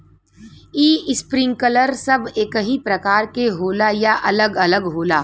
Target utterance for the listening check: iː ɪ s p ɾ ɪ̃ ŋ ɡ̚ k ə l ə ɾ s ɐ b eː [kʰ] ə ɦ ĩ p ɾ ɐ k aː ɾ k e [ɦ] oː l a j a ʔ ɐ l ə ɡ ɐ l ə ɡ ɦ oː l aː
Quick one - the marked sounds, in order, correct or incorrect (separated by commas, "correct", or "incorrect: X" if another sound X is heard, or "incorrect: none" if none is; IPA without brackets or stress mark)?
incorrect: k, correct